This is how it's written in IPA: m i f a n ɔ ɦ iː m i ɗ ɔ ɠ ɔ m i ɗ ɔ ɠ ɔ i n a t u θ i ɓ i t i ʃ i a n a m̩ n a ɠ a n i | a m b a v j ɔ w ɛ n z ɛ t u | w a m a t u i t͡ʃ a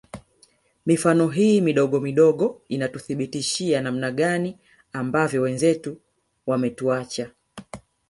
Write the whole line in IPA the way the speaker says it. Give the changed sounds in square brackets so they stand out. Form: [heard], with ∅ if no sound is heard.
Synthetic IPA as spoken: m i f a n ɔ ɦ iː m i ɗ ɔ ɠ ɔ m i ɗ ɔ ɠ ɔ i n a t u θ i ɓ i t i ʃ i a n a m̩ n a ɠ a n i | a m b a v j ɔ w ɛ n z ɛ t u | w a m [ɛ] t u [a] t͡ʃ a